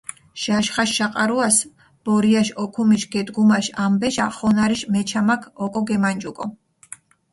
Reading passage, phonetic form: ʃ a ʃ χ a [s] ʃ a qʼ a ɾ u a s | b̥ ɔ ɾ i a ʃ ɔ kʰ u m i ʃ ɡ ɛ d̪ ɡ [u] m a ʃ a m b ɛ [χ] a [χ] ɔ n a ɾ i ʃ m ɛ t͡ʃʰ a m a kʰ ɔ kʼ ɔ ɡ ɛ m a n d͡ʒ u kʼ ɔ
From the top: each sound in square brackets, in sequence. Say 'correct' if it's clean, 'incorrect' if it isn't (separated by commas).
incorrect, correct, incorrect, correct